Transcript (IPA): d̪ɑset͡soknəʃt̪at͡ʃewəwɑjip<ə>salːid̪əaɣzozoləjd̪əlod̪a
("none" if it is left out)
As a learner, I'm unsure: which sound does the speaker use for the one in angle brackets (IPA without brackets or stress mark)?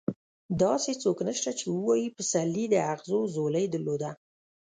ə